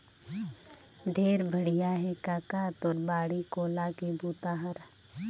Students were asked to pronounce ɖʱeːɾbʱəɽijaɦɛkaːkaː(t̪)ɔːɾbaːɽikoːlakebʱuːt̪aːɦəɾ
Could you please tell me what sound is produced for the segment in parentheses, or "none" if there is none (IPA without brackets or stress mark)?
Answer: t̪